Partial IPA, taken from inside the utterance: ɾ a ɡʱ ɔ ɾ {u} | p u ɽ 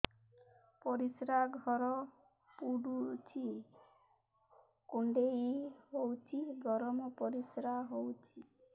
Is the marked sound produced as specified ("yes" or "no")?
no